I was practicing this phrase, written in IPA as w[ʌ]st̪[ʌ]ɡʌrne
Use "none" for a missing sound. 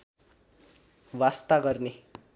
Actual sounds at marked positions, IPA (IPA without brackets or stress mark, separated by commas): a, a